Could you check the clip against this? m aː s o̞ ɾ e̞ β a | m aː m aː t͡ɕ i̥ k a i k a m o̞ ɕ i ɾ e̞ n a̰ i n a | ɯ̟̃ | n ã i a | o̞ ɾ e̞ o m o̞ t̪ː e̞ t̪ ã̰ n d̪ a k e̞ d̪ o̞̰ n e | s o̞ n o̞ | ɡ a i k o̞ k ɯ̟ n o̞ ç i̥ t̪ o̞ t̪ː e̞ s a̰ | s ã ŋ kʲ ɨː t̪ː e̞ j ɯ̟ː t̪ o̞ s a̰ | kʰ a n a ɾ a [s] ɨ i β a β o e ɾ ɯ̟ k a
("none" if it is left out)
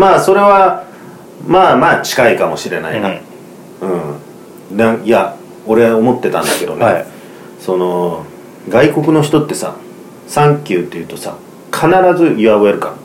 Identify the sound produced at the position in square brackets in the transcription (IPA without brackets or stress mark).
z